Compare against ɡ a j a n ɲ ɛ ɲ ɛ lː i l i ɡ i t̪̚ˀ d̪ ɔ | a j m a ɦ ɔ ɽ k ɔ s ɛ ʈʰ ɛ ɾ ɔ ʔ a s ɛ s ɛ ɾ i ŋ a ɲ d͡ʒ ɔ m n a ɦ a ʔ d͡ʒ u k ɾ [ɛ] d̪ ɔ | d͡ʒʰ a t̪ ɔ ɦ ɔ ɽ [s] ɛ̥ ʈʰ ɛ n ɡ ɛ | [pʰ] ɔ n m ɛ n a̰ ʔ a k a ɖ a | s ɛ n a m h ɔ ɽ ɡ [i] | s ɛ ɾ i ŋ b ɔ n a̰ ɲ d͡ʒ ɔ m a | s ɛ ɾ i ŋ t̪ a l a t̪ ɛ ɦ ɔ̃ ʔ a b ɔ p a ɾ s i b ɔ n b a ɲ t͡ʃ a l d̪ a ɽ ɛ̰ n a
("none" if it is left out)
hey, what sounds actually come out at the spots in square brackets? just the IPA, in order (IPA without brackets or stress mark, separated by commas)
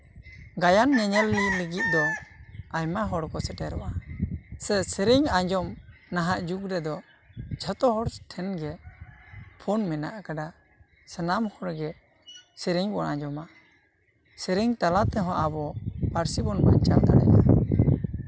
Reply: ɛ, s, pʰ, ɛ